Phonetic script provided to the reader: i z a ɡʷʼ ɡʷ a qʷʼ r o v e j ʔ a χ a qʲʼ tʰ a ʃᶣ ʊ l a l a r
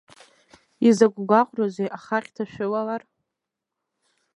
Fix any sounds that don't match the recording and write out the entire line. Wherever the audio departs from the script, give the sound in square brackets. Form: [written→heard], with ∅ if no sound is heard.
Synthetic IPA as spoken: i z a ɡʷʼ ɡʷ a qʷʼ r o [v→z] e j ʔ a χ a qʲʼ tʰ a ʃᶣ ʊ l a l a r